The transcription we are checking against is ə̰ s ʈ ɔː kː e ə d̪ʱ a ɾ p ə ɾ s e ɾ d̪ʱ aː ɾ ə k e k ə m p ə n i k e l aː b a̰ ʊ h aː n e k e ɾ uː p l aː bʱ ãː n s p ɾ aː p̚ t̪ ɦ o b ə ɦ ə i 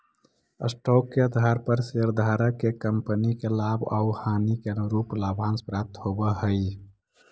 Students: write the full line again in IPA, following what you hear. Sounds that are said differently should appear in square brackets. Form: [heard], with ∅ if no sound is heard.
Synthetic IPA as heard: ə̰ s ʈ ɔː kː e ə d̪ʱ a ɾ p ə ɾ s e ɾ d̪ʱ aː ɾ ə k e k ə m p ə n i k e l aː b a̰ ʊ h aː n [i] k e ɾ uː p l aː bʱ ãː n s p ɾ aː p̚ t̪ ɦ o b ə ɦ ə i